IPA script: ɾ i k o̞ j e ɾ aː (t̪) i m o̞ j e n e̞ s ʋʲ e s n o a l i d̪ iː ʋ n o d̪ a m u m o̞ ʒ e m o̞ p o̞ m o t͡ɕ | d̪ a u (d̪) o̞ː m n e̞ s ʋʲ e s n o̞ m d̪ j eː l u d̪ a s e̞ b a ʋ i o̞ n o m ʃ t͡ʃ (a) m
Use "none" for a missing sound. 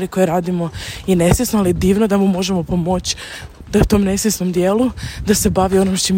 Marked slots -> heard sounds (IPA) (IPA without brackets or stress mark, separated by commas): d̪, t̪, i